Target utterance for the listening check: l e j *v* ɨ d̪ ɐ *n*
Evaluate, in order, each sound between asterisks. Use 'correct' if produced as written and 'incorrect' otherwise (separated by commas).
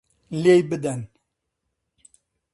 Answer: incorrect, correct